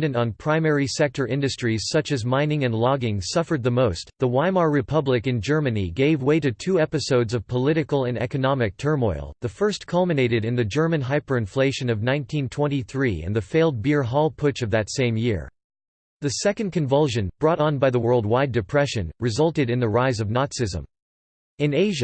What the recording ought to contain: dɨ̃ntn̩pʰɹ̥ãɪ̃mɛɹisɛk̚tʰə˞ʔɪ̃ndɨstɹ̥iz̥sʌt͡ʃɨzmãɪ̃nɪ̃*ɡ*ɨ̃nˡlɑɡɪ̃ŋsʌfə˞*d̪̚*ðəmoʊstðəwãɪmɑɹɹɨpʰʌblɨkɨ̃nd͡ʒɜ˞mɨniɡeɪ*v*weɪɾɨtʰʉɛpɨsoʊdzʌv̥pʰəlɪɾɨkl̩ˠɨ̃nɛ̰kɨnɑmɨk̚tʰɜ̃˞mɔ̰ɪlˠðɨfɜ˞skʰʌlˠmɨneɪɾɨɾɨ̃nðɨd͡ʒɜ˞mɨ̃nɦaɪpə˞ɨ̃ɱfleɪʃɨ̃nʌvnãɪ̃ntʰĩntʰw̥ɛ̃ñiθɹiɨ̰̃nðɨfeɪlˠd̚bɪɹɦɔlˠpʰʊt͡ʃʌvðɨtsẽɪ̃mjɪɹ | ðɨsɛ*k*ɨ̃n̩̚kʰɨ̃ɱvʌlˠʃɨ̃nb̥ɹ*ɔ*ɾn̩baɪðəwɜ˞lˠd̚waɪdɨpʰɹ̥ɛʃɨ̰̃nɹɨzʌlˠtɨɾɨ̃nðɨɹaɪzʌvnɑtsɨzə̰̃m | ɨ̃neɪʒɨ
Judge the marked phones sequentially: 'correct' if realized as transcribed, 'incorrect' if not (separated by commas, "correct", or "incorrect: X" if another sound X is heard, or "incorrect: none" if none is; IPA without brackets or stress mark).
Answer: incorrect: ŋ, correct, correct, correct, correct